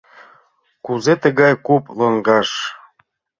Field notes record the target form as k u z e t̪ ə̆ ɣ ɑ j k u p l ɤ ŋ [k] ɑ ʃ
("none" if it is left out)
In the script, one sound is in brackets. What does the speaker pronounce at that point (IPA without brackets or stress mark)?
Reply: ɡ